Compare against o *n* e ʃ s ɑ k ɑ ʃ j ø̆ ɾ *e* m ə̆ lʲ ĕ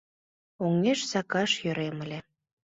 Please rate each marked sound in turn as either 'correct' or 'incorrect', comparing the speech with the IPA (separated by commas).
incorrect, correct